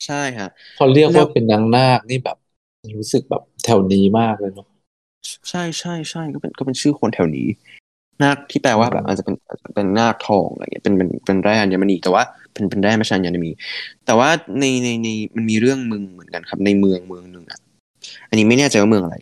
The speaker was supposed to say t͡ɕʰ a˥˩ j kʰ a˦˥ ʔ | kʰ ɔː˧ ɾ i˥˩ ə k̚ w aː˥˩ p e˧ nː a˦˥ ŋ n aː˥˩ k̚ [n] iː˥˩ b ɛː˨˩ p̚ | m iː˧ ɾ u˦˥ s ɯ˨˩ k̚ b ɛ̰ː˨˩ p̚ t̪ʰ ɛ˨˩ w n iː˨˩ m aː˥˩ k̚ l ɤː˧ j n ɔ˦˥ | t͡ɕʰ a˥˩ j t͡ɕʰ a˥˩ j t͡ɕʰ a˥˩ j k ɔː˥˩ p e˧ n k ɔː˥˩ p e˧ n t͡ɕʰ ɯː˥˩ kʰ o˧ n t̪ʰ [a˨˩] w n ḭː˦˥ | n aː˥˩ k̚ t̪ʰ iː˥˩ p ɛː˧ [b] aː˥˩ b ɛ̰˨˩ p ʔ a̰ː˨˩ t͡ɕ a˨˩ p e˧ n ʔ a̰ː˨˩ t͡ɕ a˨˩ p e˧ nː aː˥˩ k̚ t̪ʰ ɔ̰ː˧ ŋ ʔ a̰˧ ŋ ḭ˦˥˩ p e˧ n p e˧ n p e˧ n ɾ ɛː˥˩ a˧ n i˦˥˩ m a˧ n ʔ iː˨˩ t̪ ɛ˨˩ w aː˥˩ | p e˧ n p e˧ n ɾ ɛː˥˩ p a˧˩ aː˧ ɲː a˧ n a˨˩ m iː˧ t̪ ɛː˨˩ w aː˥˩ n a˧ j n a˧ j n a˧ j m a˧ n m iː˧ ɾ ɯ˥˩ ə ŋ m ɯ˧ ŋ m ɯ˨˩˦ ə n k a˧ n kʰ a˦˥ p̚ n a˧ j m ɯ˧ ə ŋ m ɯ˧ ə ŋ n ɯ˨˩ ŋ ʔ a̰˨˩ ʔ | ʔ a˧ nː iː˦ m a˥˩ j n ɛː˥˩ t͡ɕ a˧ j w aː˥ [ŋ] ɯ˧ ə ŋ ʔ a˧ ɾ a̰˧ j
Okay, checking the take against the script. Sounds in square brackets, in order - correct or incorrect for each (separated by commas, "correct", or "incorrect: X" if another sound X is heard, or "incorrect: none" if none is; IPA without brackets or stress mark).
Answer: correct, incorrect: ɛ˨˩, incorrect: w, incorrect: m